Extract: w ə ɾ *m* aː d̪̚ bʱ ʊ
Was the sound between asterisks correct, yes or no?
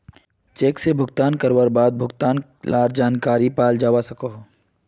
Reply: no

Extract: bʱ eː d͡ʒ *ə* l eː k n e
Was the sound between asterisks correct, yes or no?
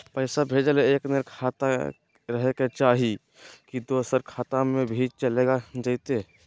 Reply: yes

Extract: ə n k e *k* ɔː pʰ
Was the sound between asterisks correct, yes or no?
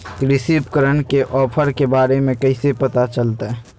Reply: no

